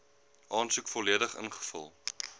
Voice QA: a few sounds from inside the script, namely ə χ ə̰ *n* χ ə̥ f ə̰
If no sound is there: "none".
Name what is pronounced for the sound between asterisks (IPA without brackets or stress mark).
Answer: n